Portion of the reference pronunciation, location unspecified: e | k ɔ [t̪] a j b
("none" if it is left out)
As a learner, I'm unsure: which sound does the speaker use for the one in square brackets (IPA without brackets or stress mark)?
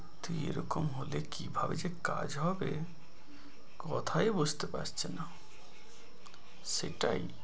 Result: t̪ʰ